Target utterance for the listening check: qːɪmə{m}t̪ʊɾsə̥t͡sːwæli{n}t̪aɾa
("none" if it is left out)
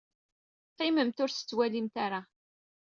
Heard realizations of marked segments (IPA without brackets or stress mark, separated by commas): m, m